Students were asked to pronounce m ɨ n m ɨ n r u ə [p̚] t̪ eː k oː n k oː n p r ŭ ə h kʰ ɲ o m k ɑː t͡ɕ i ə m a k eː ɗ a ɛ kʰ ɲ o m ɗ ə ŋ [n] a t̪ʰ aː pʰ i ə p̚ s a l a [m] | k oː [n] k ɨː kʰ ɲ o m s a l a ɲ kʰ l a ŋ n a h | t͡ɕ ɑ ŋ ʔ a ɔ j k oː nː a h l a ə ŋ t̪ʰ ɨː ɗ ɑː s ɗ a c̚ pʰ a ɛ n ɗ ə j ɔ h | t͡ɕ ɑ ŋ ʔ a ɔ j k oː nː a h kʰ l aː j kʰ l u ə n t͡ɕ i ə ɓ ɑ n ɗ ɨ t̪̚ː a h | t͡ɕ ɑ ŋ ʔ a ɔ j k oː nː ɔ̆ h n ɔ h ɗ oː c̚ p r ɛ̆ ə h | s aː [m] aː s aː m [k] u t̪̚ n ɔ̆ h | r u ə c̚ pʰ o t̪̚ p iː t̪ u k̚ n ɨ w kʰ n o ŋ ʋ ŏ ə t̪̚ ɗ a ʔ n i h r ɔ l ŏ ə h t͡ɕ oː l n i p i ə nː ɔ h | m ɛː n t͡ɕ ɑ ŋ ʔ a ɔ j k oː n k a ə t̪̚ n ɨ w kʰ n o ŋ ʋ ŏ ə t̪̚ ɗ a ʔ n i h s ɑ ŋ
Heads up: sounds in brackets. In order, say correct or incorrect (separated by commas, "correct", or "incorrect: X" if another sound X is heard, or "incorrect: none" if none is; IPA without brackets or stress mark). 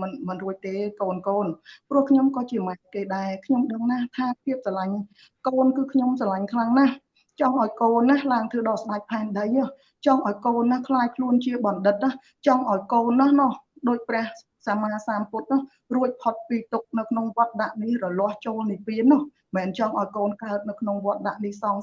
incorrect: c̚, correct, incorrect: ɲ, correct, correct, incorrect: p